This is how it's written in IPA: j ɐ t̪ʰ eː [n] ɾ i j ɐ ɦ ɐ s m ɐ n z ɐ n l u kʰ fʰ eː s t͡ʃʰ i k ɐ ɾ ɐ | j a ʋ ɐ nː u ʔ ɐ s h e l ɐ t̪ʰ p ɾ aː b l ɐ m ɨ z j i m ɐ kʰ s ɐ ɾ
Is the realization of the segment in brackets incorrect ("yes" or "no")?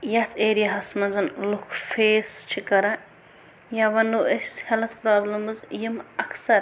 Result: yes